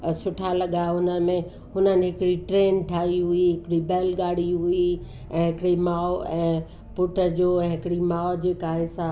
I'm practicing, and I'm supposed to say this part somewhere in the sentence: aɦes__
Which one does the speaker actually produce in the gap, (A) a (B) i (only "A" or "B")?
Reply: A